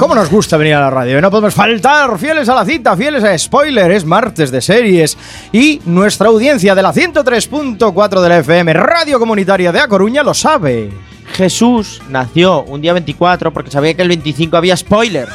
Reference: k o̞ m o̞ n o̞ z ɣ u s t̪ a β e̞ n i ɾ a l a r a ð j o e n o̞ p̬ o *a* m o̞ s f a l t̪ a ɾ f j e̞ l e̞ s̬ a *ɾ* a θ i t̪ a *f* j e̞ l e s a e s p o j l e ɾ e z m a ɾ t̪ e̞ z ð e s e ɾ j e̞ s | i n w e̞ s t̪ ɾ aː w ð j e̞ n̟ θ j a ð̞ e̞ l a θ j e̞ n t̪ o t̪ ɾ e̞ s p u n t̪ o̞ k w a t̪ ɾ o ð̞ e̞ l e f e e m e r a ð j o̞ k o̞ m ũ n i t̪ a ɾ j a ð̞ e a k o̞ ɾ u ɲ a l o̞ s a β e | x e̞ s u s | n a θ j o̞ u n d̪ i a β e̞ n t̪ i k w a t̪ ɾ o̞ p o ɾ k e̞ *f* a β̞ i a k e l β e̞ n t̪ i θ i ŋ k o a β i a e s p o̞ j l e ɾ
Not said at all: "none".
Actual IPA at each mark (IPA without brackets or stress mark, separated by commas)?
e, l, f, s